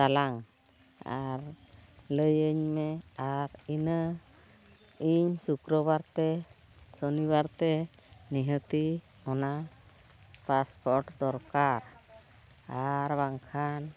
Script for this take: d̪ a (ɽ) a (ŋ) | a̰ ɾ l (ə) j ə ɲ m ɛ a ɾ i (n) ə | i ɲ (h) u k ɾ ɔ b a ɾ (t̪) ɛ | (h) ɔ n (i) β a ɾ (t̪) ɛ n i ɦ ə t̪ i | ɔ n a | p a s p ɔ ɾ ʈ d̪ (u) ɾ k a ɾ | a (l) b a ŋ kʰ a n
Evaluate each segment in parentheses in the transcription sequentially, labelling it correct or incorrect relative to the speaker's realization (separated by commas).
incorrect, correct, correct, correct, incorrect, correct, incorrect, correct, correct, incorrect, incorrect